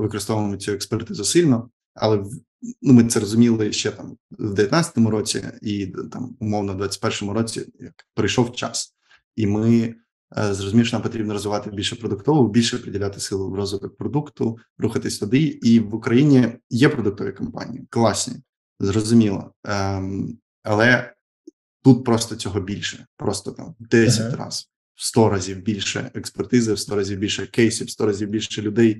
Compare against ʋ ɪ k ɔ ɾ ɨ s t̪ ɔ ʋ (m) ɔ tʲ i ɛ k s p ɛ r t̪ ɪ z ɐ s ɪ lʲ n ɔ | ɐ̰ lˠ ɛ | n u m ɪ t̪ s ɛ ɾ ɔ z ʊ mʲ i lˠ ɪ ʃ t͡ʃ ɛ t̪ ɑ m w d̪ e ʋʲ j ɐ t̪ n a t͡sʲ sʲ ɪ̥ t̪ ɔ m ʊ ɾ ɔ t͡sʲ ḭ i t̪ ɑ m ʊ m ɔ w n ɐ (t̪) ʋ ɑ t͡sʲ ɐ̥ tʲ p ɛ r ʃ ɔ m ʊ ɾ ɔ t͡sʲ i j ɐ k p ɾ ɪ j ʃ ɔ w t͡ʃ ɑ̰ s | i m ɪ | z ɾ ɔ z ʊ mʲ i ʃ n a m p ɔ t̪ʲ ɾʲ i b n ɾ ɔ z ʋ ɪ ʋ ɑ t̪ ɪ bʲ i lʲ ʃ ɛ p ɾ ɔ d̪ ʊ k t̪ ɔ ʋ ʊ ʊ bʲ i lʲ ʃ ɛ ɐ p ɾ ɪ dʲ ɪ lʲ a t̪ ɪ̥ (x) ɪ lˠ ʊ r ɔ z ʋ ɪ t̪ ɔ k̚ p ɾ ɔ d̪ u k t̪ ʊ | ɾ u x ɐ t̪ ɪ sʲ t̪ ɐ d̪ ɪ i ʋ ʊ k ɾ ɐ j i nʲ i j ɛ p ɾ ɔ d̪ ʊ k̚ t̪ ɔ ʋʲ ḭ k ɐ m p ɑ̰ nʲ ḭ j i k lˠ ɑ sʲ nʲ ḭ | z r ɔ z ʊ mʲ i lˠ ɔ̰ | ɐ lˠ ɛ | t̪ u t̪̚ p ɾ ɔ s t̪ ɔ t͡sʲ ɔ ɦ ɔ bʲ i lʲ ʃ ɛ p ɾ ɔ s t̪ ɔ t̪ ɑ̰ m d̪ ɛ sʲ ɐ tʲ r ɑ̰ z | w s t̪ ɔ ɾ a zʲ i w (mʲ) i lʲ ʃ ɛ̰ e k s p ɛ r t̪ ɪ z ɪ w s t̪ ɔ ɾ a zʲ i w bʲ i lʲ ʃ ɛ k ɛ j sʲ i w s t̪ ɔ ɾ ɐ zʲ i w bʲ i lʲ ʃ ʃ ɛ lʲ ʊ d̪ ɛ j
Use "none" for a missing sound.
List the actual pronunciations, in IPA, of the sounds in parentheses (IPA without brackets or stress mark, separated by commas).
m, d̪, s, bʲ